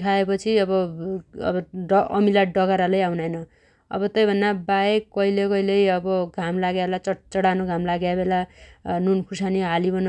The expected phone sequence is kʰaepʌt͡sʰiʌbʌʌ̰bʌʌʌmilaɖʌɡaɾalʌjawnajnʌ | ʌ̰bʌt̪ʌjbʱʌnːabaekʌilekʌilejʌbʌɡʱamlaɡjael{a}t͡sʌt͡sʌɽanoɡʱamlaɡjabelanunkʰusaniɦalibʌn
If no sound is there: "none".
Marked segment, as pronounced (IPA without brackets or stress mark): a